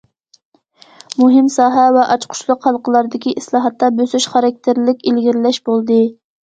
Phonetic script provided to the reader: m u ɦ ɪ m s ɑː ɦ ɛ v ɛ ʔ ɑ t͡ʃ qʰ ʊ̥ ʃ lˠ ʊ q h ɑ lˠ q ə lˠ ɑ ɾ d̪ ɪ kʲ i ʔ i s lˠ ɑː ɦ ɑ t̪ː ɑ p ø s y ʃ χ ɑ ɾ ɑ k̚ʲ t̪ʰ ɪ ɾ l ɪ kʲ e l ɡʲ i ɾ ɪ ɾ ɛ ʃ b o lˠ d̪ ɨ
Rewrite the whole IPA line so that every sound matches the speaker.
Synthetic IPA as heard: m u ɦ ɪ m s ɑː ɦ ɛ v ɛ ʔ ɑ t͡ʃ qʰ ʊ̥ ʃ lˠ ʊ q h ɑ lˠ q ə lˠ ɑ ɾ d̪ ɪ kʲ i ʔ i s lˠ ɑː ɦ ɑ t̪ː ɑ b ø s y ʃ χ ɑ ɾ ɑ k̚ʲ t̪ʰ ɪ ɾ l ɪ kʲ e l ɡʲ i ɾ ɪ l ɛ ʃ b o lˠ d̪ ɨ